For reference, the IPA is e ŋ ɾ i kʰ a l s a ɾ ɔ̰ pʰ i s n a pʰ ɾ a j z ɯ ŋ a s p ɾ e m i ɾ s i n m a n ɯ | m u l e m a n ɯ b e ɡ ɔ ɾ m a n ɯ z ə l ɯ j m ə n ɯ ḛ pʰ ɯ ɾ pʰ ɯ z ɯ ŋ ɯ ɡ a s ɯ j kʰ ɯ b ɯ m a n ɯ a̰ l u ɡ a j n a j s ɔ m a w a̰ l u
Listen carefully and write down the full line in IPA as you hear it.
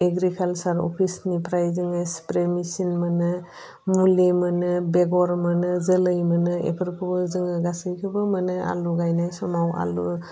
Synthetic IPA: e ɡ ɾ i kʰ a l s a ɾ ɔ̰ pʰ i s n i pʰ ɾ a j z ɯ ŋ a s p ɾ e m i s i n m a n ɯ | m u l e m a n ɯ b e ɡ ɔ ɾ m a n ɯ z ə l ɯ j m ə n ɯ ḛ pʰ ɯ ɾ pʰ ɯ z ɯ ŋ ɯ ɡ a s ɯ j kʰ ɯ b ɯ m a n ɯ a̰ l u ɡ a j n a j s ɔ m a w a̰ l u